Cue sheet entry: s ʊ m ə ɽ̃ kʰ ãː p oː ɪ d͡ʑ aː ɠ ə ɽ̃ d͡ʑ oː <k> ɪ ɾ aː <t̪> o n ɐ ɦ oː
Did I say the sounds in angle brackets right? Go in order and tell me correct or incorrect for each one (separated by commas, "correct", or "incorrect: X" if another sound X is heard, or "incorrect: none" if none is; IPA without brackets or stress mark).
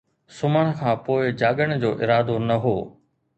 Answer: incorrect: ʔ, incorrect: d̪